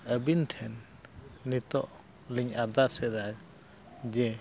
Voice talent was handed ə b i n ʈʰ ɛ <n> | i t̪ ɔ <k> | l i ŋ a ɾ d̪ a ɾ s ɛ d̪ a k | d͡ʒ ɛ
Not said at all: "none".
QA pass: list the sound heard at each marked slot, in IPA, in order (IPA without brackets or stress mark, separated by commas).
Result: nː, ʔ